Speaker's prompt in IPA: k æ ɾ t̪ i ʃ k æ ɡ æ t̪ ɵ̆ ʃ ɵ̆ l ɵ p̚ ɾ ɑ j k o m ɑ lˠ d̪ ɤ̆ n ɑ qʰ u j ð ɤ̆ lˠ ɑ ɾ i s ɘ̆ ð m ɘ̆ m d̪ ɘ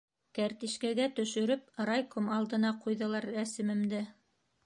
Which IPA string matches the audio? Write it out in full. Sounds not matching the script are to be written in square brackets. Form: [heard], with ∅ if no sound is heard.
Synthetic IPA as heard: k æ ɾ t̪ i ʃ k æ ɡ æ t̪ ɵ̆ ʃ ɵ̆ [ɾ] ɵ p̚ ɾ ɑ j k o m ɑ lˠ d̪ ɤ̆ n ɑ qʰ u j ð ɤ̆ lˠ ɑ ɾ [æ] s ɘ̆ [∅] m ɘ̆ m d̪ ɘ